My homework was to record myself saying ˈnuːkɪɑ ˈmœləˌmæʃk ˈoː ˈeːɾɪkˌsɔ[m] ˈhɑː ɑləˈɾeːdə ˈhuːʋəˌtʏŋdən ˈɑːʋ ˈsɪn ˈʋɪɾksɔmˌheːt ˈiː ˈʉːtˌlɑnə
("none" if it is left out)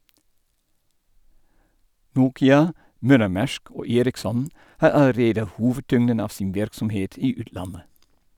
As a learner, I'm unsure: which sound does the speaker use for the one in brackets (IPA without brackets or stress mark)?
n